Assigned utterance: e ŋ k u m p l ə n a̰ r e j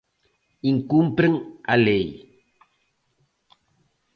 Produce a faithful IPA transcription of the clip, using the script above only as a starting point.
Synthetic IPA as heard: i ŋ k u m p ɾ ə ŋ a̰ l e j